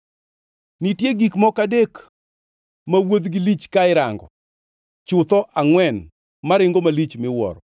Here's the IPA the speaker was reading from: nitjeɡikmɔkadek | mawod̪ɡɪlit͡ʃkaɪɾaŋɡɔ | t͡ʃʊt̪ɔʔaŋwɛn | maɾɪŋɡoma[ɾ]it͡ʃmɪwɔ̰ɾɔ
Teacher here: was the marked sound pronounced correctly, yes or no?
no